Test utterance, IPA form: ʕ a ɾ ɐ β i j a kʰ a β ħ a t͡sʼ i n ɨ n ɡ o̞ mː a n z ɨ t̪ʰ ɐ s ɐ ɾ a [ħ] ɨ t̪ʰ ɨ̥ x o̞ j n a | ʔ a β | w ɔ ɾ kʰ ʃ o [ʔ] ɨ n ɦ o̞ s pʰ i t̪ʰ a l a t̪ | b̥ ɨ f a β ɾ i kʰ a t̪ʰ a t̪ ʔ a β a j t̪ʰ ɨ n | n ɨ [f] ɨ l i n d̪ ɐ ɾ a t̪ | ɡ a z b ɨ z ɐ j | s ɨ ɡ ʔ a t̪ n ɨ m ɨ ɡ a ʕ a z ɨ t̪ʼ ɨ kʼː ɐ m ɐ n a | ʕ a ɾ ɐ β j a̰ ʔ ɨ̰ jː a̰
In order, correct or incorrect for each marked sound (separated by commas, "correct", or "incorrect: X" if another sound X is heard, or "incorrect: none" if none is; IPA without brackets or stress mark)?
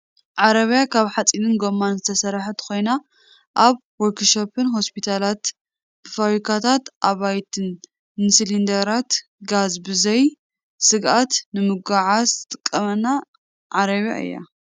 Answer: correct, incorrect: p, incorrect: s